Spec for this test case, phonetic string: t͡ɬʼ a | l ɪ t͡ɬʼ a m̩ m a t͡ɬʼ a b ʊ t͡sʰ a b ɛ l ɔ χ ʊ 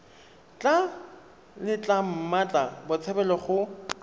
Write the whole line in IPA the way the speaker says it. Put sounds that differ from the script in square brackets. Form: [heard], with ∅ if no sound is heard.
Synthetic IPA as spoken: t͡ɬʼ a | l ɪ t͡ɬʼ a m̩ m a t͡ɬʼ a b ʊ t͡sʰ [ɛ] b ɛ l ɔ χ ʊ